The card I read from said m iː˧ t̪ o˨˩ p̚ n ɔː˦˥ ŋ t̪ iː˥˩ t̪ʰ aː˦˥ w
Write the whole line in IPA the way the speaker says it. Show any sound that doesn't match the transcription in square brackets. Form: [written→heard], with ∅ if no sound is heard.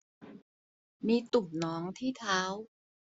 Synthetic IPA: m iː˧ t̪ [o˨˩→u˨˩] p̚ n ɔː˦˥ ŋ [t̪→t̪ʰ] iː˥˩ t̪ʰ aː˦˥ w